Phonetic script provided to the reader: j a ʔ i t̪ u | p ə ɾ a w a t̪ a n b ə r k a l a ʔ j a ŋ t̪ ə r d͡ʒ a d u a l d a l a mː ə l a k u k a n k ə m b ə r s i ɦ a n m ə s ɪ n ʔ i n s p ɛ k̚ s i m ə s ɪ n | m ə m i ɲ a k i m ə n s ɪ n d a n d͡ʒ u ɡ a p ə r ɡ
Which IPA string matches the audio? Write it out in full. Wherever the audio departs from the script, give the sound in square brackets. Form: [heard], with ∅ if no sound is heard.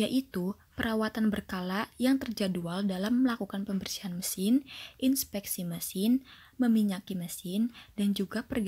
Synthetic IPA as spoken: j a ʔ i t̪ u | p ə ɾ a w a t̪ a n b ə r k a l a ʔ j a ŋ t̪ ə r d͡ʒ a d u a l d a l a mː ə l a k u k a n [p] ə m b ə r s i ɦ a n m ə s ɪ n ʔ i n s p ɛ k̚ s i m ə s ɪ n | m ə m i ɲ a k i m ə [∅] s ɪ n d a n d͡ʒ u ɡ a p ə r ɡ

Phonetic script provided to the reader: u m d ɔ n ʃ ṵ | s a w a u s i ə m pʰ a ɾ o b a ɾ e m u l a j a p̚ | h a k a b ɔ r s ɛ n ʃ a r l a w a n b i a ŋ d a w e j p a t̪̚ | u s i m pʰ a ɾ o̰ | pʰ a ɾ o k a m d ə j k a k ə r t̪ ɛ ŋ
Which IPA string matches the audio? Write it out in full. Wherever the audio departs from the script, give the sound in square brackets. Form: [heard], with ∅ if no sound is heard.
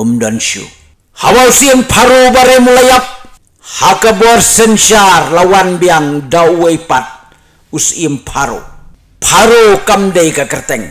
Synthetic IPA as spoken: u m d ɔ n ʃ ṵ | [h] a w a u s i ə m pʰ a ɾ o b a ɾ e m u l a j a p̚ | h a k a b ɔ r s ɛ n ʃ a r l a w a n b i a ŋ d a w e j p a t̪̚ | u s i m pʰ a ɾ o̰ | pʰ a ɾ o k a m d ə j k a k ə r t̪ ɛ ŋ

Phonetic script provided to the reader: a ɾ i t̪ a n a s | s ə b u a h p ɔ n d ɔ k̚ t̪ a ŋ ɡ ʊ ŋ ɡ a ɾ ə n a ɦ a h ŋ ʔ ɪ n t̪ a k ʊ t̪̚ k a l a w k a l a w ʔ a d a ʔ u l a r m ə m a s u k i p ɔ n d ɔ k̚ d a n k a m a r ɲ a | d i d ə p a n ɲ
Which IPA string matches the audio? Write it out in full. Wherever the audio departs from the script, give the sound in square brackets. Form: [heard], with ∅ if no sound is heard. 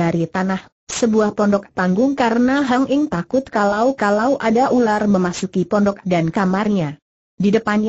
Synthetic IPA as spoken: a ɾ i t̪ a n a [h] | s ə b u a h p ɔ n d ɔ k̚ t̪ a ŋ ɡ ʊ ŋ [k] a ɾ ə n a ɦ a [∅] ŋ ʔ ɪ [ŋ] t̪ a k ʊ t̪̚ k a l a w k a l a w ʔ a d a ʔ u l a r m ə m a s u k i p ɔ n d ɔ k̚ d a n k a m a r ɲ a | d i d ə p a n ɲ

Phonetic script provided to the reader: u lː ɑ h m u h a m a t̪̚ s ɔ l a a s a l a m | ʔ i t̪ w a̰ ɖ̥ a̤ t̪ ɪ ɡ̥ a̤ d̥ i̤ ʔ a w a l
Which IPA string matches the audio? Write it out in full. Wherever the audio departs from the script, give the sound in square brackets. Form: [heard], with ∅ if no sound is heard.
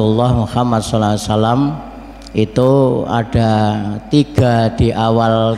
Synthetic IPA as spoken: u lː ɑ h m u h a m a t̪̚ s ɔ l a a s a l a m | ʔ i t̪ [u] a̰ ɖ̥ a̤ t̪ [i] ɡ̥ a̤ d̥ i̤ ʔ a w a l

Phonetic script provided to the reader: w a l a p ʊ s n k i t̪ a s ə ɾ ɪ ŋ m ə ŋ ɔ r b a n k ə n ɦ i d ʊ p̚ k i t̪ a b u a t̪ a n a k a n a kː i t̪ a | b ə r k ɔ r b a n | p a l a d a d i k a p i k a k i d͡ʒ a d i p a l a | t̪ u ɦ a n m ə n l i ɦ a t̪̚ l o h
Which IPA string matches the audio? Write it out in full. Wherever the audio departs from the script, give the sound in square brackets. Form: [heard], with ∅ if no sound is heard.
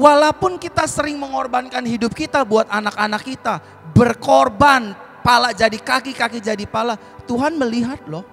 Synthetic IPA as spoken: w a l a p ʊ [∅] n k i t̪ a s ə ɾ ɪ ŋ m ə ŋ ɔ r b a n k [a] n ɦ i d ʊ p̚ k i t̪ a b u a t̪ a n a k a n a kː i t̪ a | b ə r k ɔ r b a n | p a l a [d͡ʒ] a d i k a [k] i k a k i d͡ʒ a d i p a l a | t̪ u ɦ a n m ə [∅] l i ɦ a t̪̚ l [ɔ] h

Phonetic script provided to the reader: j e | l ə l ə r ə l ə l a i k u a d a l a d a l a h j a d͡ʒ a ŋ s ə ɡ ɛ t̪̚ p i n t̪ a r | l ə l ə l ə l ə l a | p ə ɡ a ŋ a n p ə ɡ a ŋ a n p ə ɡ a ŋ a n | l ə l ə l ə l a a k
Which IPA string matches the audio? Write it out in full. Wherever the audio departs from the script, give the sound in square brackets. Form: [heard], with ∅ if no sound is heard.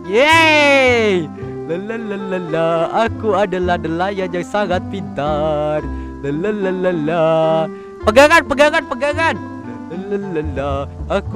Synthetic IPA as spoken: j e | l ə l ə [l] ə l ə l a [a] k u a d a l a d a l a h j a d͡ʒ a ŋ s [a] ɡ [a] t̪̚ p i n t̪ a r | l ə l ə l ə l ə l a | p ə ɡ a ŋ a n p ə ɡ a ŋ a n p ə ɡ a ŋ a n | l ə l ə l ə l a a k

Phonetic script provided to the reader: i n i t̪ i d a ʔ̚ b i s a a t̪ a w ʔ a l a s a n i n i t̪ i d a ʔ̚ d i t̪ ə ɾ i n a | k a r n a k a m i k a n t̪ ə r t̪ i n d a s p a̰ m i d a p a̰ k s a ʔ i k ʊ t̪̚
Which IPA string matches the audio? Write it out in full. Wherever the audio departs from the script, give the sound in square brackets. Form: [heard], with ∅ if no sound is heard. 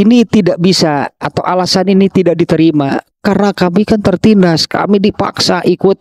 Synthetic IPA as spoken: i n i t̪ i d a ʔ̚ b i s a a t̪ a w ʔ a l a s a n i n i t̪ i d a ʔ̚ d i t̪ ə ɾ i [m] a | k a r n a k a m i k a n t̪ ə r t̪ i n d a s [k] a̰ m i d [i] p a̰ k s a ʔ i k ʊ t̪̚

